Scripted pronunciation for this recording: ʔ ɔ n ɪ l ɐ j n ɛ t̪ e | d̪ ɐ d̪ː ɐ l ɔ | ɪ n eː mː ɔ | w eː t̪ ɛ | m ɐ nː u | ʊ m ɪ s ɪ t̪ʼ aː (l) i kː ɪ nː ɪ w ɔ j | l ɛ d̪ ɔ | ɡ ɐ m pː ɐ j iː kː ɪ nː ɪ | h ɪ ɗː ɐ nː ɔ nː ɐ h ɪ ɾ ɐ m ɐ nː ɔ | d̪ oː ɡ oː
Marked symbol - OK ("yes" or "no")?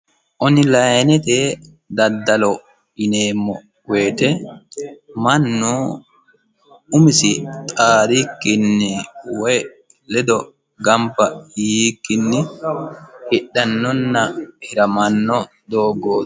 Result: no